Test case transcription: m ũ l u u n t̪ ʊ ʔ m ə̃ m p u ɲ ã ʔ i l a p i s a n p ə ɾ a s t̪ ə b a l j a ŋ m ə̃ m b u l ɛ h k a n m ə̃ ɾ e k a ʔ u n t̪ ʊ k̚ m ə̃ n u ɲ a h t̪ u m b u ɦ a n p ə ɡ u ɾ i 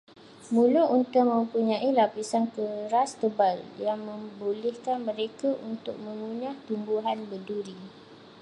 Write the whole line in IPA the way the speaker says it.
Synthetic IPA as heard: m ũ l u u n t̪ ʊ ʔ m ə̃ m p u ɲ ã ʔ i l a p i s a n k ə ɾ a s t̪ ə b a l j a ŋ m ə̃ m b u l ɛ h k a n m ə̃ ɾ e k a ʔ u n t̪ ʊ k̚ m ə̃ ŋ u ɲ a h t̪ u m b u ɦ a n b ə d u ɾ i